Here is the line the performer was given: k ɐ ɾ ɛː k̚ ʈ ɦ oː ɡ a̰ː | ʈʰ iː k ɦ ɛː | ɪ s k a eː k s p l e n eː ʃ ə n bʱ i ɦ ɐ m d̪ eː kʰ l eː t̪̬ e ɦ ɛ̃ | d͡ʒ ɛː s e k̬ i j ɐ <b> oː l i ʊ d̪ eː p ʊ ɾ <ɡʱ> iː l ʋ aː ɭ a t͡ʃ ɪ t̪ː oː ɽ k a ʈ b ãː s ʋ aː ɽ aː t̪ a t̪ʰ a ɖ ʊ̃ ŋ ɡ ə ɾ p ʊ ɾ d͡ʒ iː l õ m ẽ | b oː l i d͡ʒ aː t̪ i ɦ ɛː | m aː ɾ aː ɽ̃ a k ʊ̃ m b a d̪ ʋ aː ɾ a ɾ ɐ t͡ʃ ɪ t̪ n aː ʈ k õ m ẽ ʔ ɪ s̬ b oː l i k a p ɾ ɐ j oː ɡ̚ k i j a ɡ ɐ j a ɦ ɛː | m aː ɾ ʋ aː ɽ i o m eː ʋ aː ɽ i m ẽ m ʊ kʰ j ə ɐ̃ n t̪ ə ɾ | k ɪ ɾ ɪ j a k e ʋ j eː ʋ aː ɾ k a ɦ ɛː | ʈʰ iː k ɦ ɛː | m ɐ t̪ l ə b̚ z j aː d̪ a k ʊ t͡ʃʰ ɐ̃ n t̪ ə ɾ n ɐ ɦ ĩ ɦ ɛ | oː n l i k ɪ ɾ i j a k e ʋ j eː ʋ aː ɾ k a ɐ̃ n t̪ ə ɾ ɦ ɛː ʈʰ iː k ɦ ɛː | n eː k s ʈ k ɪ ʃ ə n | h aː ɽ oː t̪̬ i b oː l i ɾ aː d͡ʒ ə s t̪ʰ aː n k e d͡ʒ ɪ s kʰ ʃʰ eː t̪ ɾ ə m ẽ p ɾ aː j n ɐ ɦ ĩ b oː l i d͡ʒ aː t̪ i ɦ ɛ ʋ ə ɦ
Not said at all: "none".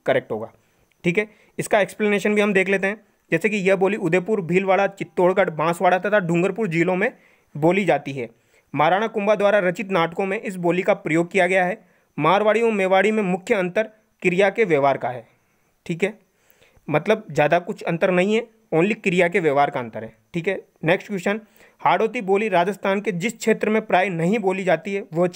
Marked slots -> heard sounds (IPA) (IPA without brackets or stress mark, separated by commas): b, bʱ